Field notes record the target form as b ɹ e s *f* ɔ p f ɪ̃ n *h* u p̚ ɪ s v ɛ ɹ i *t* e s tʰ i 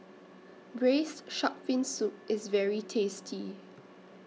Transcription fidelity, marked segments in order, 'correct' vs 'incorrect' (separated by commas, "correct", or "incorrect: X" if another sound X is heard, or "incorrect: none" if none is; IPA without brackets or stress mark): incorrect: ʃ, incorrect: s, incorrect: tʰ